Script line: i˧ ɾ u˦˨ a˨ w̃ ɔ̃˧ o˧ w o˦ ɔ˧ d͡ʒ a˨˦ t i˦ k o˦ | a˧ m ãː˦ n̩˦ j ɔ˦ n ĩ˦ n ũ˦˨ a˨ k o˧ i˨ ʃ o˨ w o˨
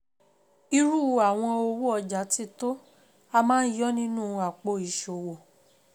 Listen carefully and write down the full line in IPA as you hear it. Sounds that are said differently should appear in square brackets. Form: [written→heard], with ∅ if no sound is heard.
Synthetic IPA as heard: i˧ ɾ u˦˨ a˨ w̃ ɔ̃˧ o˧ w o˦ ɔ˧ d͡ʒ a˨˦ t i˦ [k→t] o˦ | a˧ m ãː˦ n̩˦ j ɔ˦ n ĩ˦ n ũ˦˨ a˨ [k→k͡p] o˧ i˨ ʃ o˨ w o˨